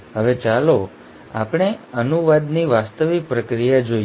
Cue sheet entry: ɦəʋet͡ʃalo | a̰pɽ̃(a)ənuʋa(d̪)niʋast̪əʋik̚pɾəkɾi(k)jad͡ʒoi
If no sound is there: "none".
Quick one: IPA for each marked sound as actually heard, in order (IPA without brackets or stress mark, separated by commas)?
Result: e, d̪, none